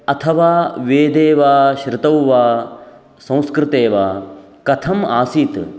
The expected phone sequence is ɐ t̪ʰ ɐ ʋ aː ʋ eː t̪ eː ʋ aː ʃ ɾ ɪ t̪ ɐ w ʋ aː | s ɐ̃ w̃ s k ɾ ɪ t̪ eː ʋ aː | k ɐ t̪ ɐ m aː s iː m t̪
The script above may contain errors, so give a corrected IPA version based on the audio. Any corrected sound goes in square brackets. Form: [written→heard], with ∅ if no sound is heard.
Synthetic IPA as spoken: ɐ t̪ʰ ɐ ʋ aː ʋ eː [t̪→d̪] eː ʋ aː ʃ ɾ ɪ t̪ ɐ w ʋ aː | s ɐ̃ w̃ s k ɾ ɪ t̪ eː ʋ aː | k ɐ [t̪→t̪ʰ] ɐ m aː s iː [m→∅] t̪